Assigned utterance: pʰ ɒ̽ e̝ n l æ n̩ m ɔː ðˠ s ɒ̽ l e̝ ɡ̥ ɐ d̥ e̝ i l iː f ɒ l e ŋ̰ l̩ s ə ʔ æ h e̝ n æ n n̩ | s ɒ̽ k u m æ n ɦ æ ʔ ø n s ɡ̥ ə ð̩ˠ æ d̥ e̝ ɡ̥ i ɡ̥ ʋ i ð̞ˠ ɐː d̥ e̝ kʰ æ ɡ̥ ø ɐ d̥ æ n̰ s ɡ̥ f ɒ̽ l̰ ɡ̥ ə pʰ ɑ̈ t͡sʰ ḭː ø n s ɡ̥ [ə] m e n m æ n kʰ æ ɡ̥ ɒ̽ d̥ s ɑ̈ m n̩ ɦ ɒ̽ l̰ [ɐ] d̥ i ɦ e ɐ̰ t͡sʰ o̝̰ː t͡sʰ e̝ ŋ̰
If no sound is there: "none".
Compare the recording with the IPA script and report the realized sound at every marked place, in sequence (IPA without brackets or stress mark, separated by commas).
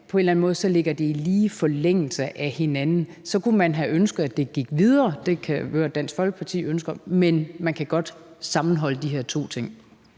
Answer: ɐ, ə